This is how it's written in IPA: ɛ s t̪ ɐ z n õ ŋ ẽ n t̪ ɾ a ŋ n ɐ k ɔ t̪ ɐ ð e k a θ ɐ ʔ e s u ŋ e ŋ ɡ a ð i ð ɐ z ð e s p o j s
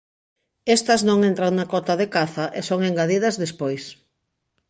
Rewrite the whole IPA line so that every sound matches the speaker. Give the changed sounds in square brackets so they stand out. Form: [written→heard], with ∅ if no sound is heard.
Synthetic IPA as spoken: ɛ s t̪ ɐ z n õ ŋ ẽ n t̪ ɾ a ŋ n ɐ k ɔ t̪ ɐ ð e k a θ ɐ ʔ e s [u→o] ŋ e ŋ ɡ a ð i ð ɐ z ð e s p o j s